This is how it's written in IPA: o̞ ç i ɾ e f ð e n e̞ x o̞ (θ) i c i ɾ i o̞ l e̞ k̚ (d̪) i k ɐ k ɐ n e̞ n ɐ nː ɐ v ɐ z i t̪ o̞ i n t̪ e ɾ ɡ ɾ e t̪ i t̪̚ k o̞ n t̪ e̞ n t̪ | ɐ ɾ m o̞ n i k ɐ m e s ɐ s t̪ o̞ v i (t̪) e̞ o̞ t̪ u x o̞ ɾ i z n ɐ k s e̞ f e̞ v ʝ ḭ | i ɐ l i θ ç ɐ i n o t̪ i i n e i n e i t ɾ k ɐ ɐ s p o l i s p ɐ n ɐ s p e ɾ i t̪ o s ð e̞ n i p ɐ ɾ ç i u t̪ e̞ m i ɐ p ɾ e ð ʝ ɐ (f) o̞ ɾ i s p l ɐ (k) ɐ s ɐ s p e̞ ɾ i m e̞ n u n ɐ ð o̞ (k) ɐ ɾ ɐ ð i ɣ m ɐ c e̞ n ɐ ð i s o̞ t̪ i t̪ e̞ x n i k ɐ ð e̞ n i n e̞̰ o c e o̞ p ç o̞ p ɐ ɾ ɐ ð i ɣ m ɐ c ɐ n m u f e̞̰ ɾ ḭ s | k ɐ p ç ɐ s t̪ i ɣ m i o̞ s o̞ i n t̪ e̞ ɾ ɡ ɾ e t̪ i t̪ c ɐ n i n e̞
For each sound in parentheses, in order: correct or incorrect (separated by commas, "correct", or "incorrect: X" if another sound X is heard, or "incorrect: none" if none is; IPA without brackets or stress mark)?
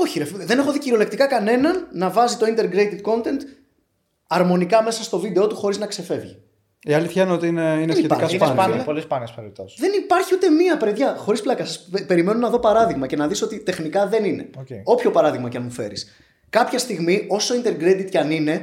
incorrect: ð, incorrect: t̪, incorrect: d̪, incorrect: x, correct, incorrect: p